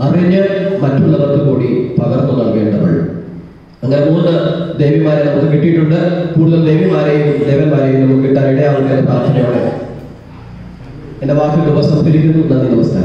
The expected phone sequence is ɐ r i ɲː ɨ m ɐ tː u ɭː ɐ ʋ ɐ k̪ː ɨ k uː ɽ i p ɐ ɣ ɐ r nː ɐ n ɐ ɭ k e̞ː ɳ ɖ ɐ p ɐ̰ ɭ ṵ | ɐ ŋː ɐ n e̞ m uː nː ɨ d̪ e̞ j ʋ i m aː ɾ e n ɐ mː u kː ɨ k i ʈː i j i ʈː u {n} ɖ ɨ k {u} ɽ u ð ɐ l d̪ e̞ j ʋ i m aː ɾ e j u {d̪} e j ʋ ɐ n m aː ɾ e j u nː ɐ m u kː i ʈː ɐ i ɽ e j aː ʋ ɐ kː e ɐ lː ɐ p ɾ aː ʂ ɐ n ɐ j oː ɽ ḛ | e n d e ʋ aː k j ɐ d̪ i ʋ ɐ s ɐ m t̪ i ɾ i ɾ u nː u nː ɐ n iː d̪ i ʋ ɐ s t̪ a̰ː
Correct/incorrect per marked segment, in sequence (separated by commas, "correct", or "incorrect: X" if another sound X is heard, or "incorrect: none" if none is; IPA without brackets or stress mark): incorrect: ɳ, incorrect: uː, correct